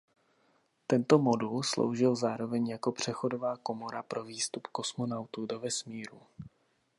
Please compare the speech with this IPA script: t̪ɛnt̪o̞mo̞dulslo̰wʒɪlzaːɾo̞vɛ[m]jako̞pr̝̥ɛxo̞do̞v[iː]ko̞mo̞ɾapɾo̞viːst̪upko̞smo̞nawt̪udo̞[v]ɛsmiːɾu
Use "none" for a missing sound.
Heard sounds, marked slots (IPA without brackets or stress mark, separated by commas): ɲ, aː, v